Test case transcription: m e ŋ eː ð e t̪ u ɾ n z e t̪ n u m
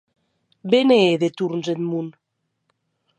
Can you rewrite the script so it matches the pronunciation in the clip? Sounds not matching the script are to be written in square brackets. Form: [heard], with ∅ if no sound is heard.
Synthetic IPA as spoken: [b] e [n] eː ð e t̪ u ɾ n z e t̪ [m] u [n]